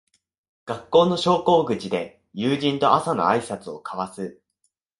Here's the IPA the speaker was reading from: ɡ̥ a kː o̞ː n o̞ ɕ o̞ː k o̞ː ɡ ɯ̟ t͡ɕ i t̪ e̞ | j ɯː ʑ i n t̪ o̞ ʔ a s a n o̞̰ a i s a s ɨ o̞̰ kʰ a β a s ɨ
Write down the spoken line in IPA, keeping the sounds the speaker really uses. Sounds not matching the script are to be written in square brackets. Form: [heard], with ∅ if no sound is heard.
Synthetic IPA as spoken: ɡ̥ a kː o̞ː n o̞ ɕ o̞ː k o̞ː ɡ ɯ̟ t͡ɕ i [d̪] e̞ | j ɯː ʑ [ĩ] n t̪ o̞ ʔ a s a n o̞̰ a i s a [t͡s] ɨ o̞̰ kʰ a β a s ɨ